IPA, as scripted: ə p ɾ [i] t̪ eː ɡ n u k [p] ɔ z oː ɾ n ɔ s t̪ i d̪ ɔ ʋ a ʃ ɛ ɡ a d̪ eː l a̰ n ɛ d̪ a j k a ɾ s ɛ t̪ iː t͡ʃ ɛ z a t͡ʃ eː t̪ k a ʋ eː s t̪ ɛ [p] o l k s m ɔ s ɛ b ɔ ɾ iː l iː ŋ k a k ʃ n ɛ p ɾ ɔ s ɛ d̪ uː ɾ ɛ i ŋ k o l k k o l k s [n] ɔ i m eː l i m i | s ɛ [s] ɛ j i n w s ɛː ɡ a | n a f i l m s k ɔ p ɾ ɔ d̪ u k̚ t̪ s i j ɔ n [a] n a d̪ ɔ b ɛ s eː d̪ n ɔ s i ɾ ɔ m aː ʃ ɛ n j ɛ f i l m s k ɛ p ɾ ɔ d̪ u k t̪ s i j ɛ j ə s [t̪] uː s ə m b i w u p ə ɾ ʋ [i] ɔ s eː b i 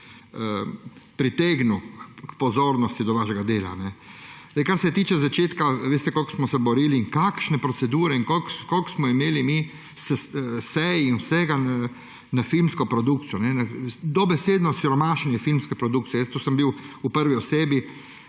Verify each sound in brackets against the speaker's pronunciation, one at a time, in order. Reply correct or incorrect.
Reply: correct, correct, incorrect: k, incorrect: m, correct, incorrect: ɛ, correct, correct

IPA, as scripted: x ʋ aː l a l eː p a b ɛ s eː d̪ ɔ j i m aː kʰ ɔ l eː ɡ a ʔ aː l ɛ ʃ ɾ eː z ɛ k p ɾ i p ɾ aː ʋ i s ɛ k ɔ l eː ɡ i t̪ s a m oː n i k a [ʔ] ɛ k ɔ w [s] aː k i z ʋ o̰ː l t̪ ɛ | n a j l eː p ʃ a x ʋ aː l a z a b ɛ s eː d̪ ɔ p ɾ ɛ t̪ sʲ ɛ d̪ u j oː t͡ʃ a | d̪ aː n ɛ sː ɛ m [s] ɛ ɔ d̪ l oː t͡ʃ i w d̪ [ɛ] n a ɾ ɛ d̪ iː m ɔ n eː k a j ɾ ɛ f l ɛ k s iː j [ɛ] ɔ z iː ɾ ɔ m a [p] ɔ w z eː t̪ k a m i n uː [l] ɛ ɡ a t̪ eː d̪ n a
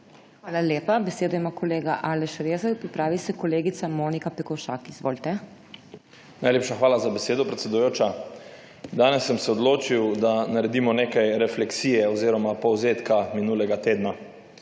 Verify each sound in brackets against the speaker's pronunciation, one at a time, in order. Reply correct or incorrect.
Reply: incorrect: p, incorrect: ʃ, correct, incorrect: a, correct, correct, correct

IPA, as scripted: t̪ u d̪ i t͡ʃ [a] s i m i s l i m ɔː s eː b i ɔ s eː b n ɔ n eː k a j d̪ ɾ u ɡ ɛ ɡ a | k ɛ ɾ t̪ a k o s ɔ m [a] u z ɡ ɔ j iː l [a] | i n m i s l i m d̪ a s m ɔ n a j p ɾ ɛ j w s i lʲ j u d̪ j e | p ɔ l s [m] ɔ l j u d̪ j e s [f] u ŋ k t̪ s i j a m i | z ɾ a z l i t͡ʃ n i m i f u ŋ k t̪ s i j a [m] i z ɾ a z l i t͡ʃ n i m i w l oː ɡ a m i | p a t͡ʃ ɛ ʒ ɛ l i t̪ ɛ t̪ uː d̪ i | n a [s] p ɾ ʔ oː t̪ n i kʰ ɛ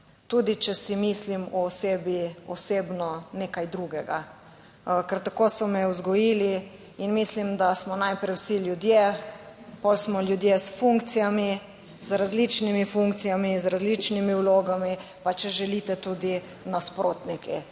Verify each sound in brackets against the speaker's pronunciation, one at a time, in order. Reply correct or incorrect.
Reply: incorrect: ɛ, incorrect: ɛ, incorrect: i, correct, correct, correct, correct

